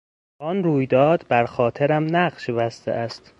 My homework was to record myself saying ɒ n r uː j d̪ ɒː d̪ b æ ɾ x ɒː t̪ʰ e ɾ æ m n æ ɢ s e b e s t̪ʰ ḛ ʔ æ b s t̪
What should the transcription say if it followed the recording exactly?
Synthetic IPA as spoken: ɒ n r uː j d̪ ɒː d̪ b æ ɾ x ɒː t̪ʰ e ɾ æ m n æ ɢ ʃ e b æ s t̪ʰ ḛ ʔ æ s t̪